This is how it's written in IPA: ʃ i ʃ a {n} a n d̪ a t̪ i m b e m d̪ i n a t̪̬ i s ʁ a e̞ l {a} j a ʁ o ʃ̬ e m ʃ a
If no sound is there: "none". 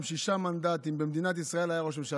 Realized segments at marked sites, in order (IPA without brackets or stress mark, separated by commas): m, a